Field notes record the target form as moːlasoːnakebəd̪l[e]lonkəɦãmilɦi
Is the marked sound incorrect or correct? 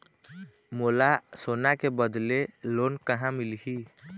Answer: correct